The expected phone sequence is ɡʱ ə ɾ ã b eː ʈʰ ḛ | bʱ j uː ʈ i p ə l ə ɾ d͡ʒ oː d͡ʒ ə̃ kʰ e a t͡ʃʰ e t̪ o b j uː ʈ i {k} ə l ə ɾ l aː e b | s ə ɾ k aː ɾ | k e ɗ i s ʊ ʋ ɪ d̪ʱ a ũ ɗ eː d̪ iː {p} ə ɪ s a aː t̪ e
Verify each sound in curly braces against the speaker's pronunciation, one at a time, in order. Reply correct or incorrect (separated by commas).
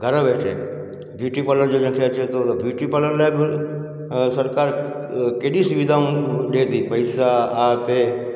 incorrect, correct